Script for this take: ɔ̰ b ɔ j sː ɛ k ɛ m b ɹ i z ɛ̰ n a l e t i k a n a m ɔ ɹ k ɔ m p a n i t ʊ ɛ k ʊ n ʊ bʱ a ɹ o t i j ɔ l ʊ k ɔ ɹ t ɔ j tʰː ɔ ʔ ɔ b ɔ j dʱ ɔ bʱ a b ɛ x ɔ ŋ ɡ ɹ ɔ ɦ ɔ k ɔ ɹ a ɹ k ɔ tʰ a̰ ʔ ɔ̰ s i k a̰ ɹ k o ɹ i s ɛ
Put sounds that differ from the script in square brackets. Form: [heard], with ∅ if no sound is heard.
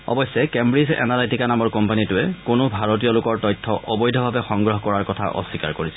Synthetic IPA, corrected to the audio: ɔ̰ b ɔ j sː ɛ k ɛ m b ɹ i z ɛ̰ n a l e t i k a n a m ɔ ɹ k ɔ m p a n i t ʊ ɛ k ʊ n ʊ bʱ a ɹ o t i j ɔ l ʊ k ɔ ɹ t ɔ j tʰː ɔ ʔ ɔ b ɔ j dʱ ɔ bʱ a b ɛ x ɔ ŋ ɡ ɹ ɔ ɦ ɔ k ɔ ɹ a ɹ k ɔ tʰ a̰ ʔ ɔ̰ s i k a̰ ɹ k o ɹ i s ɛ